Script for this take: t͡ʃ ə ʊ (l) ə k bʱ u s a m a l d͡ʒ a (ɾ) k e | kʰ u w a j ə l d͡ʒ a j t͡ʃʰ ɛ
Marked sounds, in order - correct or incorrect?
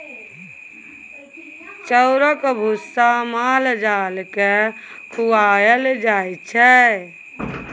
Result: incorrect, incorrect

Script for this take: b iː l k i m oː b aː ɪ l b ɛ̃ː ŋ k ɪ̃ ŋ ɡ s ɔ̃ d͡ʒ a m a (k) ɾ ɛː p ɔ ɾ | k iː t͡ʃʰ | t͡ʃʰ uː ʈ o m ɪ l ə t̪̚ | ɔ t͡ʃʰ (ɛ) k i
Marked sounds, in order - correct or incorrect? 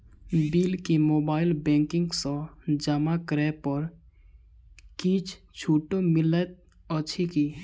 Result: correct, incorrect

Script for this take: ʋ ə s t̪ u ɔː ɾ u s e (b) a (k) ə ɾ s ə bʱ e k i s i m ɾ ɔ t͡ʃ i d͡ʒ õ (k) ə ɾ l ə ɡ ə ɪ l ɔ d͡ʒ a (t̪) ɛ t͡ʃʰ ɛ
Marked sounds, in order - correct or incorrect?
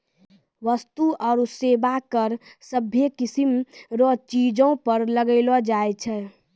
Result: correct, correct, incorrect, incorrect

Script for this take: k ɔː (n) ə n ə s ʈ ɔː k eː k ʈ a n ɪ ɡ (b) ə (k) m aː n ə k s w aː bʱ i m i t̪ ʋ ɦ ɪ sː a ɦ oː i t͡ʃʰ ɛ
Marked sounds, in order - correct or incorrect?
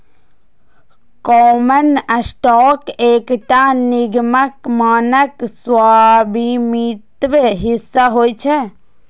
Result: incorrect, incorrect, correct

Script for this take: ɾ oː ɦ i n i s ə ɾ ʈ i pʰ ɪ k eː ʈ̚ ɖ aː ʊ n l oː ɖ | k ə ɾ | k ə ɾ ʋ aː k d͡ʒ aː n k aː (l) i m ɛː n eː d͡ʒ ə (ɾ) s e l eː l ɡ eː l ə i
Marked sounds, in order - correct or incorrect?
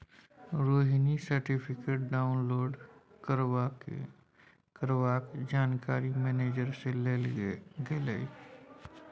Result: incorrect, correct

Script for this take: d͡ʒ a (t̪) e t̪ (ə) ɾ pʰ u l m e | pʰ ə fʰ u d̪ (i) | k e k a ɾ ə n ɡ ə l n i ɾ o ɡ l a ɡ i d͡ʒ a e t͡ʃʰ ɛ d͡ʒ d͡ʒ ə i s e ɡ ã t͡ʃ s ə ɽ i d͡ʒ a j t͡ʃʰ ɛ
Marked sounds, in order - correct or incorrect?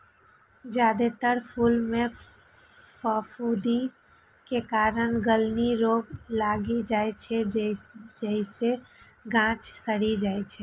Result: incorrect, correct, correct

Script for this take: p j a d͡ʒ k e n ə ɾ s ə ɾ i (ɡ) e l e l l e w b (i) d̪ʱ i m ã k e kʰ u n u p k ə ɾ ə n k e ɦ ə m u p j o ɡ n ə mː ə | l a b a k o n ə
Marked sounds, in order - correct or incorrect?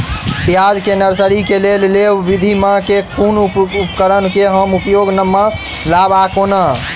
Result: incorrect, correct

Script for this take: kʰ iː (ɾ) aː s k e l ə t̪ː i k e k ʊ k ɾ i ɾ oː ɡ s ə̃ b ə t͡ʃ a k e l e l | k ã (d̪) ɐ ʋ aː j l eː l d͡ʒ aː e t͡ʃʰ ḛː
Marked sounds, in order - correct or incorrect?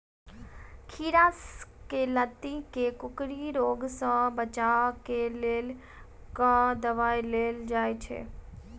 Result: correct, correct

